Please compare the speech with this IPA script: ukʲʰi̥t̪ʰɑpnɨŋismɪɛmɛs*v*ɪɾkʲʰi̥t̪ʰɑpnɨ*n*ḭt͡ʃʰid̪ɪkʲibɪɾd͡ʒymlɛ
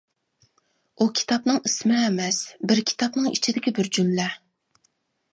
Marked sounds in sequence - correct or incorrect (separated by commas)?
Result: incorrect, incorrect